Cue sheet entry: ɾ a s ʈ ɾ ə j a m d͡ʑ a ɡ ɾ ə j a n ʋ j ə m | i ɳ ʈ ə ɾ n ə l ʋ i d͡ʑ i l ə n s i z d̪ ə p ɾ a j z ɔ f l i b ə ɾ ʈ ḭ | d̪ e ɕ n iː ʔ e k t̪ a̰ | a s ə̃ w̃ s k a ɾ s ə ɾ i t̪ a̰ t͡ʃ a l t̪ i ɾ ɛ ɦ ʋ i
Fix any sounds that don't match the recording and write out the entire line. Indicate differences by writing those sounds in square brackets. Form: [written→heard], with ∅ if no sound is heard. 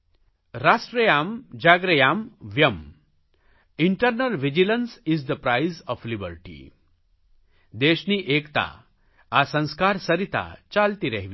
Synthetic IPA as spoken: ɾ a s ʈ ɾ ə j a m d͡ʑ a ɡ ɾ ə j a [n→m] ʋ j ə m | i ɳ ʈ ə ɾ n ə l ʋ i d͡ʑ i l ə n s i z d̪ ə p ɾ a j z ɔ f l i b ə ɾ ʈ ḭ | d̪ e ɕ n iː ʔ e k t̪ a̰ | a s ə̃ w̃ s k a ɾ s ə ɾ i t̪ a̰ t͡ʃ a l t̪ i ɾ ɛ ɦ ʋ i